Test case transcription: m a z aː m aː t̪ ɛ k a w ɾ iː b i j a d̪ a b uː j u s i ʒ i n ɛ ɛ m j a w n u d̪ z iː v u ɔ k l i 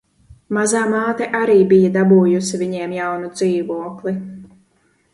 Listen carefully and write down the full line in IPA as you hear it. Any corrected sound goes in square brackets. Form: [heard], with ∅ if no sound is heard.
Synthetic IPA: m a z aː m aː t̪ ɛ [ʔ] a [∅] ɾ iː b i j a d̪ a b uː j u s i [v] i [ɲ] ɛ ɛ m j a w n u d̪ z iː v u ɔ k l i